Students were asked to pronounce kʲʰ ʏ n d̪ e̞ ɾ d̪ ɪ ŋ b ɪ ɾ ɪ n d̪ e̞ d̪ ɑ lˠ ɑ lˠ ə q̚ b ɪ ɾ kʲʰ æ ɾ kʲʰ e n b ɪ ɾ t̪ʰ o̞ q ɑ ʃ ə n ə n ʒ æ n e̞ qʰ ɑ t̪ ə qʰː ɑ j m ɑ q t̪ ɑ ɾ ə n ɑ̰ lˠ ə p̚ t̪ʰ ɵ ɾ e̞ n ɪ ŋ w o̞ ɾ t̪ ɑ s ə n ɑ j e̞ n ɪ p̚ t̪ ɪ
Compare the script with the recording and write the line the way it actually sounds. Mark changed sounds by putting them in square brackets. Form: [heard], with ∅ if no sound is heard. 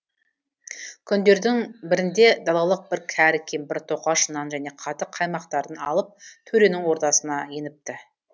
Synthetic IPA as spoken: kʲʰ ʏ n d̪ e̞ ɾ d̪ ɪ ŋ b ɪ ɾ ɪ n d̪ e̞ d̪ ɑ lˠ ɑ lˠ ə q̚ b ɪ ɾ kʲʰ æ ɾ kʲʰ e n b ɪ ɾ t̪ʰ o̞ q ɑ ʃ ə n [ɑ] n ʒ æ n e̞ qʰ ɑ t̪ ə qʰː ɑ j m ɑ q t̪ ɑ ɾ ə n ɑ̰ lˠ ə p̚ t̪ʰ ɵ ɾ e̞ n ɪ ŋ w o̞ ɾ t̪ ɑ s ə n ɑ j e̞ n ɪ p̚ t̪ ɪ

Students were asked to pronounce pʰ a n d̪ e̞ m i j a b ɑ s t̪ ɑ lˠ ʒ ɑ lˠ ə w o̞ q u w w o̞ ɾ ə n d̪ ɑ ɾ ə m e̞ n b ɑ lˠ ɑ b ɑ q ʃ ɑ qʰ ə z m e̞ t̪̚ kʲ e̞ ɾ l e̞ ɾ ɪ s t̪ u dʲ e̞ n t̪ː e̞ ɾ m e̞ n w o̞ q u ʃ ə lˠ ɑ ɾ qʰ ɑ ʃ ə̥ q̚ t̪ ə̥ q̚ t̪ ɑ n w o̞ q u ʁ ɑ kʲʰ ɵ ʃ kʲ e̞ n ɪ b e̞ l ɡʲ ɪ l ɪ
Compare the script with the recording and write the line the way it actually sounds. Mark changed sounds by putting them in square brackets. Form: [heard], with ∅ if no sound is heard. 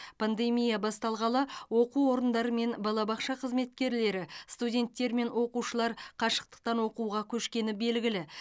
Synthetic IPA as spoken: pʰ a n d̪ e̞ m i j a b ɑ s t̪ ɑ lˠ [ʁ] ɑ lˠ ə w o̞ q u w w o̞ ɾ ə n d̪ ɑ ɾ ə m e̞ n b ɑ lˠ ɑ b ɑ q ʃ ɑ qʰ ə z m e̞ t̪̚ kʲ e̞ ɾ l e̞ ɾ ɪ s t̪ u dʲ e̞ n t̪ː e̞ ɾ m e̞ n w o̞ q u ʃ ə lˠ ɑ ɾ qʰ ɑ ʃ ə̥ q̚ t̪ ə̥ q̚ t̪ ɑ n w o̞ q u ʁ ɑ kʲʰ ɵ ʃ kʲ e̞ n ɪ b e̞ l ɡʲ ɪ l ɪ

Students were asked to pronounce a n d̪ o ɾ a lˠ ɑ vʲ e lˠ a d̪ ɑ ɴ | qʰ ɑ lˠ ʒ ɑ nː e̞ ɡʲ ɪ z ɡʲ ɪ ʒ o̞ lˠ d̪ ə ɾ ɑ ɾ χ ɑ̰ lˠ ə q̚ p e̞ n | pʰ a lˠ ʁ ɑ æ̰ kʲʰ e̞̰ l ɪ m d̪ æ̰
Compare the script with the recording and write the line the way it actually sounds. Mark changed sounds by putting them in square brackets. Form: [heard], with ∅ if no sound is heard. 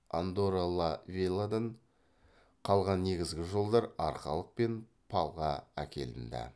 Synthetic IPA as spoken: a n d̪ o ɾ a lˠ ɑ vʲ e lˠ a d̪ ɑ ɴ | qʰ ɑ lˠ [ʁ] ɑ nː e̞ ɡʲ ɪ z ɡʲ ɪ ʒ o̞ lˠ d̪ [ɑ] ɾ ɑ ɾ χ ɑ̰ lˠ ə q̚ p e̞ n | pʰ [ɑ] lˠ ʁ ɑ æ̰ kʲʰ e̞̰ l ɪ [n] d̪ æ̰

